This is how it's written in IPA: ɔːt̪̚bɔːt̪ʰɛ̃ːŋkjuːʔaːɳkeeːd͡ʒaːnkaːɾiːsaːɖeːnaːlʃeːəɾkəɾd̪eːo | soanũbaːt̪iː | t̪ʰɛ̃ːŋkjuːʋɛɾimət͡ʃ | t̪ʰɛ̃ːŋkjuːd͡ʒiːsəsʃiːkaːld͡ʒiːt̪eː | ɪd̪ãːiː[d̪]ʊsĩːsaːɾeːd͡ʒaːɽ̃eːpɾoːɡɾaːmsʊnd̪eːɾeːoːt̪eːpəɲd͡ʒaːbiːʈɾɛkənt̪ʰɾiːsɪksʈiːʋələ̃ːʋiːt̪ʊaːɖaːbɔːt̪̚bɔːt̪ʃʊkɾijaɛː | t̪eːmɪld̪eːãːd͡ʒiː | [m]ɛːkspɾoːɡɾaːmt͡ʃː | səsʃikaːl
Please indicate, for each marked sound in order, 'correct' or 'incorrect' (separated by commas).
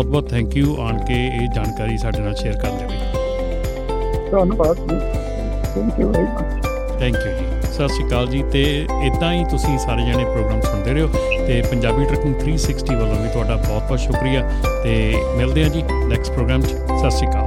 incorrect, incorrect